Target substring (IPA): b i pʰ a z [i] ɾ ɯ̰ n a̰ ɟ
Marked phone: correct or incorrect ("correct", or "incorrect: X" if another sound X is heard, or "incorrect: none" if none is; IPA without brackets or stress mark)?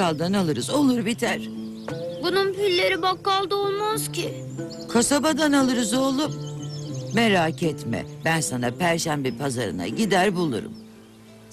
incorrect: a